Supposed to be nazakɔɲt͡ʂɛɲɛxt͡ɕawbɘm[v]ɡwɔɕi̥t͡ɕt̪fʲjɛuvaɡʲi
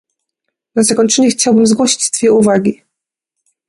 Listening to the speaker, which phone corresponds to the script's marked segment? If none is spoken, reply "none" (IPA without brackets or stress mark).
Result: z